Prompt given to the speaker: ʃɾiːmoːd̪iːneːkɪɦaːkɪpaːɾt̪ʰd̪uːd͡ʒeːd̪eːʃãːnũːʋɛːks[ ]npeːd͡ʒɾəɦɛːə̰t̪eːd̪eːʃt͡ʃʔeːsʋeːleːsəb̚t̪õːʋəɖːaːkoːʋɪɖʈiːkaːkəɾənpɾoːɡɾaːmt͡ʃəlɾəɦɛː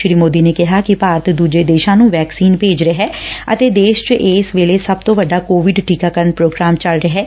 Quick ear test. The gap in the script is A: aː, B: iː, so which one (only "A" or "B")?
B